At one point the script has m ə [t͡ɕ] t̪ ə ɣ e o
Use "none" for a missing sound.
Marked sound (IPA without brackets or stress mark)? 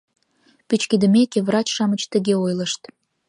t͡ɕ